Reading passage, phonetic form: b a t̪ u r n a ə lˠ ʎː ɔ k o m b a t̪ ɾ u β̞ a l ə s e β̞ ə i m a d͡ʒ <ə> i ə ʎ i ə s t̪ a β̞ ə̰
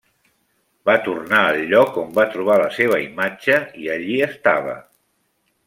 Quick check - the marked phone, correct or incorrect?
correct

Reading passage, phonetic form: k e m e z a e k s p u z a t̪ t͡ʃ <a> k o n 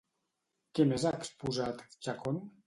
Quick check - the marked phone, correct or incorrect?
correct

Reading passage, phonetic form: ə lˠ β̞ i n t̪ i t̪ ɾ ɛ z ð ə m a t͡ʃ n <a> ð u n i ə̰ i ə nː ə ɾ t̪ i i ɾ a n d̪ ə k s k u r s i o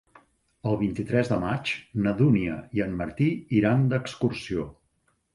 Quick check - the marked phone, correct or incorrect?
incorrect: ə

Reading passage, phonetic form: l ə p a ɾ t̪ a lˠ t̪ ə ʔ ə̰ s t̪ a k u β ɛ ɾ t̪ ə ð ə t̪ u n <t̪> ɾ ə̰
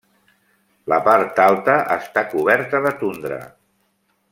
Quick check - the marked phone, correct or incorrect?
incorrect: d̪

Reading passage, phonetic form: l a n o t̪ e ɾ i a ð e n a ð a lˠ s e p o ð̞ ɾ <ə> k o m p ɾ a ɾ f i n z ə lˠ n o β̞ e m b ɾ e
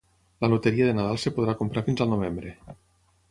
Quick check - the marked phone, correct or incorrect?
incorrect: a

